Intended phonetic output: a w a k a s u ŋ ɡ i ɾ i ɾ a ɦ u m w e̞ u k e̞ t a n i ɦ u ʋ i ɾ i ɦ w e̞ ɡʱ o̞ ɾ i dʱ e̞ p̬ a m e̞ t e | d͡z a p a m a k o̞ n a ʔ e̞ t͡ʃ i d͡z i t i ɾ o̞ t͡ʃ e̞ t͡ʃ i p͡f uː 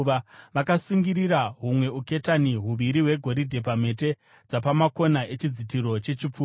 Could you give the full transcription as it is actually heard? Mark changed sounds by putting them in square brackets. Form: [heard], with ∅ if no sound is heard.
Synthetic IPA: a [ʋ] a k a s u ŋ ɡ i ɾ i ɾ a ɦ u m w e̞ u k e̞ t a n i ɦ u ʋ i ɾ i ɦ w e̞ ɡʱ o̞ ɾ i dʱ e̞ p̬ a m e̞ t e | d͡z a p a m a k o̞ n a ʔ e̞ t͡ʃ i d͡z i t i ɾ o̞ t͡ʃ e̞ t͡ʃ i p͡f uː